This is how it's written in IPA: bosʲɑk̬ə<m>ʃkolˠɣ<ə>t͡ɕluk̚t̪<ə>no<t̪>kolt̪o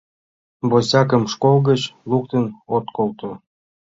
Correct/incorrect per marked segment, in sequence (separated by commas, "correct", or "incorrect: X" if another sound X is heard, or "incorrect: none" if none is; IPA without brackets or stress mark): correct, correct, correct, correct